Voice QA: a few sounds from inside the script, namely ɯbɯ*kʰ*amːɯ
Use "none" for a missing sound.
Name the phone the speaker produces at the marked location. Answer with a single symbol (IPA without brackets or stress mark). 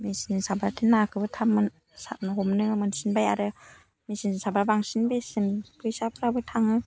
tʰ